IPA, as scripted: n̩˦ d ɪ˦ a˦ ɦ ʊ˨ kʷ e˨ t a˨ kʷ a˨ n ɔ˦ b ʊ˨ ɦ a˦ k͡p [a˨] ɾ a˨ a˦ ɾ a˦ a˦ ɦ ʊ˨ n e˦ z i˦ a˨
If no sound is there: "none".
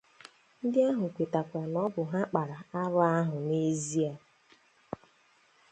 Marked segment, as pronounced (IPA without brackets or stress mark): a˨